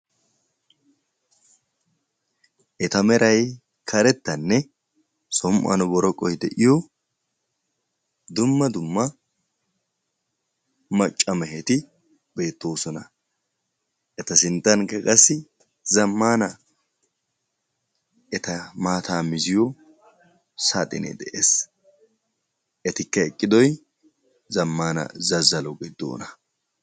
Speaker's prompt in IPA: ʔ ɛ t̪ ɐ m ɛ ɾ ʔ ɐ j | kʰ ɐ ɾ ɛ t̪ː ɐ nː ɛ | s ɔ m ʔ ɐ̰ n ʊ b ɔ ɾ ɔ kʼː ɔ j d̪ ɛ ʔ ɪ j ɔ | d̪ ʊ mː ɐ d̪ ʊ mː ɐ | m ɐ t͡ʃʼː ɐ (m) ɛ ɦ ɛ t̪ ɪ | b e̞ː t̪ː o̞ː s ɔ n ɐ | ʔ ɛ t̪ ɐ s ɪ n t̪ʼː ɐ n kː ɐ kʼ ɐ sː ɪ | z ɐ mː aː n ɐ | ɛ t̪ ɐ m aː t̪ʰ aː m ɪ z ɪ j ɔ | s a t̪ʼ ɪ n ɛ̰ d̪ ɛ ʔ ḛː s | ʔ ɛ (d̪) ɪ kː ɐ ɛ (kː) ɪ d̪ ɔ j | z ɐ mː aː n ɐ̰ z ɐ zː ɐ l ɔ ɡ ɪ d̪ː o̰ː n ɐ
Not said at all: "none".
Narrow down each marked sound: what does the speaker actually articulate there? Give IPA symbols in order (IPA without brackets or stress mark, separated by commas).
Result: m, t̪, kʼː